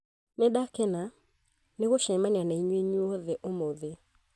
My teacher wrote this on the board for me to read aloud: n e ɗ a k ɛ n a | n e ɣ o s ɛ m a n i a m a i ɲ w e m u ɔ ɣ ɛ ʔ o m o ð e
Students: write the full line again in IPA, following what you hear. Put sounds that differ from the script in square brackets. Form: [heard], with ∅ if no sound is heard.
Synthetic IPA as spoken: n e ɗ a k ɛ n a | n e ɣ o [ʃ] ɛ m a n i a [n] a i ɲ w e [ɲ] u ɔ [ð] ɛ ʔ o m o ð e